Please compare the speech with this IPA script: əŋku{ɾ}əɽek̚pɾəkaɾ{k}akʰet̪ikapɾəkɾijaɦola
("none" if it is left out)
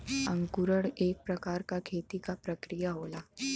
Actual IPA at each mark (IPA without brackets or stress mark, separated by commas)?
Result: ɾ, k